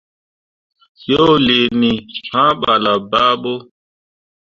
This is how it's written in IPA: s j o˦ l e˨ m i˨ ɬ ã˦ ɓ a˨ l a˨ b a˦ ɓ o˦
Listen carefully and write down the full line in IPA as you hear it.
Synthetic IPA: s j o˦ l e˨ n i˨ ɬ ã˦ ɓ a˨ l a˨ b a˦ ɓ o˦